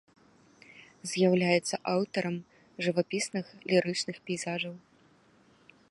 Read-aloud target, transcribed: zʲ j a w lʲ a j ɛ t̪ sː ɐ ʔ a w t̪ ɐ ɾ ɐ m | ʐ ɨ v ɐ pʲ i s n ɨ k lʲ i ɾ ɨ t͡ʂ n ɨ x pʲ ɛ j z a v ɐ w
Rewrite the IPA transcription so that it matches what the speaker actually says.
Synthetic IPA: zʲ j a w lʲ a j ɛ t̪ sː ɐ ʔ a w t̪ ɐ ɾ ɐ m | ʐ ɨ v a pʲ i s n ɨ x lʲ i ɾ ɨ t͡ʂ n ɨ x pʲ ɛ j z a ʐ ɐ w